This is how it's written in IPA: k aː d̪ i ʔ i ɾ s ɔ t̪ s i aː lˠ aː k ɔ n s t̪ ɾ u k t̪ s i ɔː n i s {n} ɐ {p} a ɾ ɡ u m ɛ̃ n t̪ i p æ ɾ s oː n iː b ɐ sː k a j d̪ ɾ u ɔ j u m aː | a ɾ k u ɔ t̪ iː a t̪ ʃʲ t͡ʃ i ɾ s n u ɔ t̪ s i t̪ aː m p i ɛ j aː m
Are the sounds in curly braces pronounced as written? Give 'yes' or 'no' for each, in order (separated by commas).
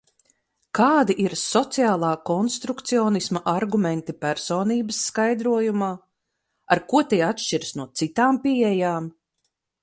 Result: no, no